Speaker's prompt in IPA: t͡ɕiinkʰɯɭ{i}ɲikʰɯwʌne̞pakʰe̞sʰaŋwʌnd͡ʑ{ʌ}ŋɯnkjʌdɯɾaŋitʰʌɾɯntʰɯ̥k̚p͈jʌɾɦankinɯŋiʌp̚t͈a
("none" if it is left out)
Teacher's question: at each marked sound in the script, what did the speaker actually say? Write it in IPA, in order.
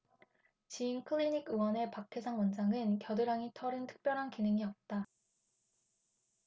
i, a

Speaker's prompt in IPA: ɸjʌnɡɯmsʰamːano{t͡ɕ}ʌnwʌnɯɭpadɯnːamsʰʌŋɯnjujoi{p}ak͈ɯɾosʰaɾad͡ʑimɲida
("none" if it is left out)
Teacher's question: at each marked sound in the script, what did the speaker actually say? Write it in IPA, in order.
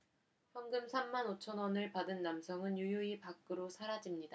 t͡ɕʰ, p

